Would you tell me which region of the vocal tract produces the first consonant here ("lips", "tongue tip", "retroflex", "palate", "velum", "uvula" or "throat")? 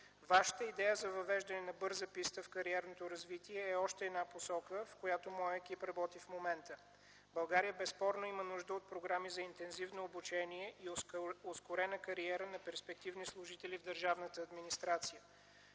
lips